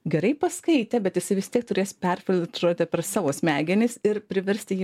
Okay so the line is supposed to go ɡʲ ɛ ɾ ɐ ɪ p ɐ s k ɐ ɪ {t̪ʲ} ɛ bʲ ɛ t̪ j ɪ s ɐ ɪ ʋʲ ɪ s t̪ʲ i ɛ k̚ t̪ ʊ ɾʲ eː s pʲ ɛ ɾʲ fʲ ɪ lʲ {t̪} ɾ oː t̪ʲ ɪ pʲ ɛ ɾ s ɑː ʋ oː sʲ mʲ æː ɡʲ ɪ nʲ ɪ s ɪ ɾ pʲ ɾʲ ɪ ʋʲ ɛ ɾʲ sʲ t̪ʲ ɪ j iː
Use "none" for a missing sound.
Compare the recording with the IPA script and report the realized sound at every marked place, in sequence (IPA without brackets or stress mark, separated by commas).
t̪ʲ, t̪